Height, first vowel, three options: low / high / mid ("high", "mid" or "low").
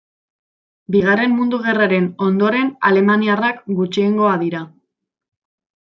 high